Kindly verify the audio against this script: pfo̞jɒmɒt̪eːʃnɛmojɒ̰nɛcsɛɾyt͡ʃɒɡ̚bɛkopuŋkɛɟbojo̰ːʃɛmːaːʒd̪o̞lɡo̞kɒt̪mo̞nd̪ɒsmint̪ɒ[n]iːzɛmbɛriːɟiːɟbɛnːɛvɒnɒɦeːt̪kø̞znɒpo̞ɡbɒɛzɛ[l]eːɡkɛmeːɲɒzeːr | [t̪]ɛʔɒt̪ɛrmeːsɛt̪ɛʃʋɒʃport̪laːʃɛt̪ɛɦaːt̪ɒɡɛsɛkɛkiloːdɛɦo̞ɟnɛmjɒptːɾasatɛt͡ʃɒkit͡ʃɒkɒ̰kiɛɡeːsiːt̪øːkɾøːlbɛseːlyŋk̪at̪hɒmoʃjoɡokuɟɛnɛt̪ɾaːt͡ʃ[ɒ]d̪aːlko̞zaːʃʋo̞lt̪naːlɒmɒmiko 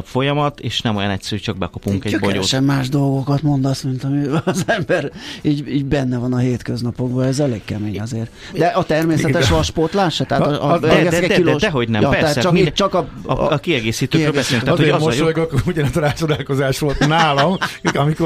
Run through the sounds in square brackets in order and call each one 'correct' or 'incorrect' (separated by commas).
incorrect, correct, incorrect, incorrect